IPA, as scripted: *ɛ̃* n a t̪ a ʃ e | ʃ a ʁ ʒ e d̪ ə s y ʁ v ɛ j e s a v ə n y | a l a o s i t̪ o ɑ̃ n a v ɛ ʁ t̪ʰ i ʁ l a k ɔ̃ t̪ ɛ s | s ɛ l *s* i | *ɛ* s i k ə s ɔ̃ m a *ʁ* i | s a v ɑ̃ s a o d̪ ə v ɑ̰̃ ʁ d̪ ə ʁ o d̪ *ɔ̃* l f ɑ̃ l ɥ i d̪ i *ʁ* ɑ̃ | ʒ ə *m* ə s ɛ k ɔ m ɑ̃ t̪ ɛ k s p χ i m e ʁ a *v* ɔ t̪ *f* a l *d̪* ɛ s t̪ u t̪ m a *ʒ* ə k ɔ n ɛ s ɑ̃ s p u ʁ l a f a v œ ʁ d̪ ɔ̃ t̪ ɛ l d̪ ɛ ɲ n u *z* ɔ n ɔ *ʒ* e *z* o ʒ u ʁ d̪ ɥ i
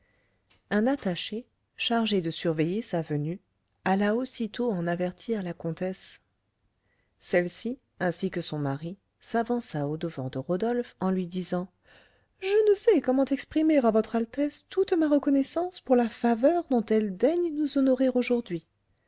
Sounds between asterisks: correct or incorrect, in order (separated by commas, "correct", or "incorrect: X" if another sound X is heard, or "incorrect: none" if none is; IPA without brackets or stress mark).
correct, correct, incorrect: ɛ̃, correct, incorrect: ɔ, incorrect: z, incorrect: n, correct, incorrect: χ, incorrect: t̪, incorrect: ʁ, correct, incorrect: ʁ, incorrect: ʁ